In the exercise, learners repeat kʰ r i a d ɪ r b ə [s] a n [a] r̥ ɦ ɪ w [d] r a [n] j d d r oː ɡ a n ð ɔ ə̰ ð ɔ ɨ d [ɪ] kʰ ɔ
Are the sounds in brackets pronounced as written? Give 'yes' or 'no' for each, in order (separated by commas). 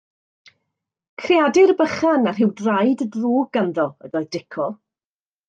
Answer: no, yes, yes, no, yes